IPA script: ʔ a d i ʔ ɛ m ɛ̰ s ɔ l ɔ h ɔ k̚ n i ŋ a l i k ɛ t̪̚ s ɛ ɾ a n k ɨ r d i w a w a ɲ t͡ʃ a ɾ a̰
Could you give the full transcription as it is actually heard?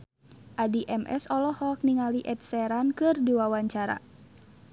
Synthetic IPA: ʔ a d i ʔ ɛ m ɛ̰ s ɔ l ɔ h ɔ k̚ n i ŋ a l i ʔ ɛ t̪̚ s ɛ ɾ a n k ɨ r d i w a w a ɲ t͡ʃ a ɾ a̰

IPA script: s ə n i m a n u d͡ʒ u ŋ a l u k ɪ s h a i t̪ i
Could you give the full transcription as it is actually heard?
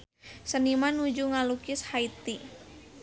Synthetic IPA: s ə n i m a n u d͡ʒ u ŋ a l u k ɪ s h a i t̪ i

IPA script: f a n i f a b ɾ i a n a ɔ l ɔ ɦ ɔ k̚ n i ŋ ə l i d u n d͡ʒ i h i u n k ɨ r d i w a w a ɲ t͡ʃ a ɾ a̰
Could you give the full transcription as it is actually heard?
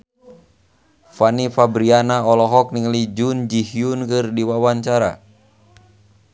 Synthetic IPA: f a n i f a b ɾ i a n a ɔ l ɔ ɦ ɔ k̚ n i ŋ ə l i d͡ʒ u n d͡ʒ i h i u n k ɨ r d i w a w a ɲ t͡ʃ a ɾ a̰

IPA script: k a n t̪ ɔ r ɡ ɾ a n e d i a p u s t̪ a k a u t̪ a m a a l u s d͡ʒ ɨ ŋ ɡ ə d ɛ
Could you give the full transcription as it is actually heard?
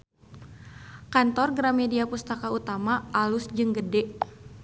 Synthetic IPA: k a n t̪ ɔ r ɡ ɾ a m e d i a p u s t̪ a k a u t̪ a m a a l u s d͡ʒ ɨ ŋ ɡ ə d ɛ

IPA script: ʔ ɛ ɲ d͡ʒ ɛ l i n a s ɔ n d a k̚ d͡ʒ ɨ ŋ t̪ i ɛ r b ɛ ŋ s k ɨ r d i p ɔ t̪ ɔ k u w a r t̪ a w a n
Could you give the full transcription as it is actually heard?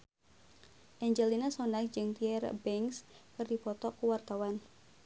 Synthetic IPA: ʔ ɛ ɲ d͡ʒ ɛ l i n a s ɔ n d a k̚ d͡ʒ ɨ ŋ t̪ i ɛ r b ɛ ŋ s k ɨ r d i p ɔ t̪ ɔ k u w a r t̪ a w a n

